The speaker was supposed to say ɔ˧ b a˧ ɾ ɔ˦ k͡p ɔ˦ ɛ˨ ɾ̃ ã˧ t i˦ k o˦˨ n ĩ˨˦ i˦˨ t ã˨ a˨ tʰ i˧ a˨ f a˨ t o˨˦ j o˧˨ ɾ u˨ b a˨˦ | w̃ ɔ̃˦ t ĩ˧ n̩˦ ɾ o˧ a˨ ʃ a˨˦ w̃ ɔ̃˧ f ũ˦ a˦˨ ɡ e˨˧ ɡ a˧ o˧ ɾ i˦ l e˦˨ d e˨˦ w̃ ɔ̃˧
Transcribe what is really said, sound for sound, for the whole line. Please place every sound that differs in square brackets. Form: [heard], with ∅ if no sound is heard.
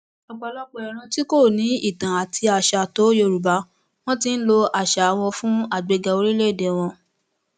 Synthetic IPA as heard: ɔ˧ [ɡ͡b] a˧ [l] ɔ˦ k͡p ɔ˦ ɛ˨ ɾ̃ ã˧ t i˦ k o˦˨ n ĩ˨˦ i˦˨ t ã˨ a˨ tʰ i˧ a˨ [ʃ] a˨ t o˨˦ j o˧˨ ɾ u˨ b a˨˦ | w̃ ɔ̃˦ t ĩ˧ n̩˦ [l] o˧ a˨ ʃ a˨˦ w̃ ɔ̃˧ f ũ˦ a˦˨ [ɡ͡b] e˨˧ ɡ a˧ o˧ ɾ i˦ l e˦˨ d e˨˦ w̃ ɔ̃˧